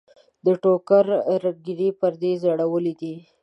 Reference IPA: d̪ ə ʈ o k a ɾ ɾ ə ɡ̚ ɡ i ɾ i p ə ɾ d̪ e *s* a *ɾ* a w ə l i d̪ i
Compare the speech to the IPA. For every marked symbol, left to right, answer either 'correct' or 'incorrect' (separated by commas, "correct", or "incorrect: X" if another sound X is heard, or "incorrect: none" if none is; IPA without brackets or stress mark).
incorrect: z, incorrect: ɽ